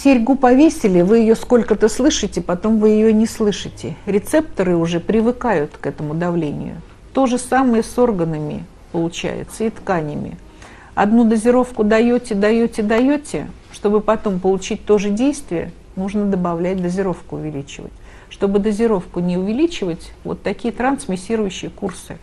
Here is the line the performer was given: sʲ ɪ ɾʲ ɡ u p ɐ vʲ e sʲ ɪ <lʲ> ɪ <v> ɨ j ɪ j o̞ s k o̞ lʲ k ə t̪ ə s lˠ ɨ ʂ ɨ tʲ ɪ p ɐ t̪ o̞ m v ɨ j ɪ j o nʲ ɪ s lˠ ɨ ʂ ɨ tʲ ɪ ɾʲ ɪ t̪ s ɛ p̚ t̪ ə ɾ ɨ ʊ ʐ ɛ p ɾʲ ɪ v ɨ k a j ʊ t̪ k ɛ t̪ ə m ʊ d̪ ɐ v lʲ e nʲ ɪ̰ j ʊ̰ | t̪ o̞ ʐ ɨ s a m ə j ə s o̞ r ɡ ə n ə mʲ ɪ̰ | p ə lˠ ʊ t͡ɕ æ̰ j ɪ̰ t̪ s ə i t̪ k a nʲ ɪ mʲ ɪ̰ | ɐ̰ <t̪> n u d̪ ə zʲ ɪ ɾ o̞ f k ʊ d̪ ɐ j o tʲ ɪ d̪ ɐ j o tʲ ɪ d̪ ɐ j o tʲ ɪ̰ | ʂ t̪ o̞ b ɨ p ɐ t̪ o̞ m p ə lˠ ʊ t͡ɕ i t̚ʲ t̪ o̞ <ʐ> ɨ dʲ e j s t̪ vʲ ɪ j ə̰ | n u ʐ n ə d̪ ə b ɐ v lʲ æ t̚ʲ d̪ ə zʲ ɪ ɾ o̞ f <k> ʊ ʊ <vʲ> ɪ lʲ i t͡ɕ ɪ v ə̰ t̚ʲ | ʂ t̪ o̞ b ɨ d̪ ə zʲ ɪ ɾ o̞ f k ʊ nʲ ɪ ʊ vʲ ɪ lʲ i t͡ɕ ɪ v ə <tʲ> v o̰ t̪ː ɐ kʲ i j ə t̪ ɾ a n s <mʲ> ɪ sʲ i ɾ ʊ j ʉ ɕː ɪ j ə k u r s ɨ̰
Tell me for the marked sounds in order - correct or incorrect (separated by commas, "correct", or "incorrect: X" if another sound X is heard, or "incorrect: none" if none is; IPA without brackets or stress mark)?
correct, correct, incorrect: d̪, correct, correct, correct, correct, correct